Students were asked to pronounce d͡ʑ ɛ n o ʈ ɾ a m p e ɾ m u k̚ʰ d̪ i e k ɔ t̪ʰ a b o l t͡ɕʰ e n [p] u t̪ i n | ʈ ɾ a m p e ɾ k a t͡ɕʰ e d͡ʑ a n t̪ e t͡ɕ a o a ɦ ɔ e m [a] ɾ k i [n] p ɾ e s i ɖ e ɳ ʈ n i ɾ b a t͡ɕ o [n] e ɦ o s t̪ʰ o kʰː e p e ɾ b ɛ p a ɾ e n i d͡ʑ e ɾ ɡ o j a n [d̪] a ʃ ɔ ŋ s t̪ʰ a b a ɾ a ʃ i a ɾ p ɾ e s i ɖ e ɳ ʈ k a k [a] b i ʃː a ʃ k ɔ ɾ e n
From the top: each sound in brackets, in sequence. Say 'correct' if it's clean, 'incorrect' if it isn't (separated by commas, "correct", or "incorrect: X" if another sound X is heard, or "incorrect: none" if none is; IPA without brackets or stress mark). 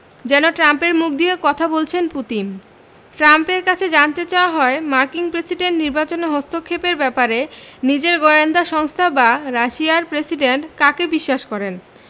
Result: correct, correct, incorrect: ŋ, correct, correct, incorrect: e